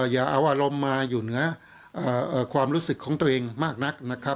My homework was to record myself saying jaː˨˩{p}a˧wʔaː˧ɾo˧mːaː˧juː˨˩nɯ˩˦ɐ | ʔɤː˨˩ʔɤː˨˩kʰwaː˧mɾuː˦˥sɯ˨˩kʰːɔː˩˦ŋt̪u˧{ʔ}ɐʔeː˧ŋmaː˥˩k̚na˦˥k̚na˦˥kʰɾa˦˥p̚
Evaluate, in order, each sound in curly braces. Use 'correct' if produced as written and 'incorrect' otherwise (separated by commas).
incorrect, incorrect